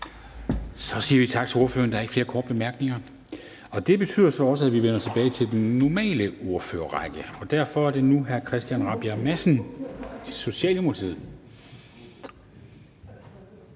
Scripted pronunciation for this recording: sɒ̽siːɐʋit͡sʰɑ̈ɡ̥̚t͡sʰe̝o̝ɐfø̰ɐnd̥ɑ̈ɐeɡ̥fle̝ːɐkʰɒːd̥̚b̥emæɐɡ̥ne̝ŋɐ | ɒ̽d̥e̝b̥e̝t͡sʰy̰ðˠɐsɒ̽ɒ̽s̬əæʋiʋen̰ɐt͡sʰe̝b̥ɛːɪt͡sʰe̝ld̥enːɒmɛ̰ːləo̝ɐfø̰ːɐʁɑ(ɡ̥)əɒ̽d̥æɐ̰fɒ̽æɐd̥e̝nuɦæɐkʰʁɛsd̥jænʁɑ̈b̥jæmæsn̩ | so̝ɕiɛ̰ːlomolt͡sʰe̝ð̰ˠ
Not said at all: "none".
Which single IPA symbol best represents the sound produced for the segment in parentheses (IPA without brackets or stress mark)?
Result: ɡ̥